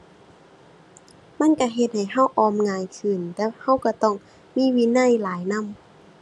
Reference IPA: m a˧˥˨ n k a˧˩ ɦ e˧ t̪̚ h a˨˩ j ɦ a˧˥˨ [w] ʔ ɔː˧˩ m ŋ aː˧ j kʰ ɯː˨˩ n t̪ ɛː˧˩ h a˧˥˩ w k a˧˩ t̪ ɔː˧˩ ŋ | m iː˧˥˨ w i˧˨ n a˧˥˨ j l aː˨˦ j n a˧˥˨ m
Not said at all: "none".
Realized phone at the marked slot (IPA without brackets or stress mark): w